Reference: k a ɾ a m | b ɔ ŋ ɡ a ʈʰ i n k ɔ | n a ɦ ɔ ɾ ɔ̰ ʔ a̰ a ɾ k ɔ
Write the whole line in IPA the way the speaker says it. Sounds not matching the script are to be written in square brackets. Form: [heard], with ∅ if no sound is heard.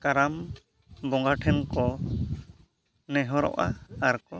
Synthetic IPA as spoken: k a ɾ a m | b ɔ ŋ ɡ a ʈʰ [ɛ] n k ɔ | n [ɛ] ɦ ɔ ɾ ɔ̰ ʔ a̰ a ɾ k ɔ